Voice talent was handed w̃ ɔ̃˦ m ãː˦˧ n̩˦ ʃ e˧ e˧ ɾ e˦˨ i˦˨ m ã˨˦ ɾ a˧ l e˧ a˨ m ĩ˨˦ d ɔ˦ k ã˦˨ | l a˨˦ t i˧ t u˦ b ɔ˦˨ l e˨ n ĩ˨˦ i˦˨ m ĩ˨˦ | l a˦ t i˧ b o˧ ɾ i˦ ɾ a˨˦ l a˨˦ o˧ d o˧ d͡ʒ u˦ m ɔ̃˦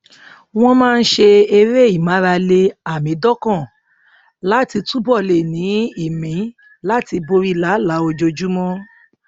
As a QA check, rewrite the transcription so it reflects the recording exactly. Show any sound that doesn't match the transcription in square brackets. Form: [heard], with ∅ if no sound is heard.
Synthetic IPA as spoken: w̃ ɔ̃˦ m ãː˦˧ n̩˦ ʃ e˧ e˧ ɾ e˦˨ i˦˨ m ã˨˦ ɾ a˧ l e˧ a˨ m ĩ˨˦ d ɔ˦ k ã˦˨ | l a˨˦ t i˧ t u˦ b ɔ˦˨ l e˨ n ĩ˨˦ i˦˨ m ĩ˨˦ | l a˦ t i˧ b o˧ ɾ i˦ [l] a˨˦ l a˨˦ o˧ [d͡ʒ] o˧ d͡ʒ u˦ m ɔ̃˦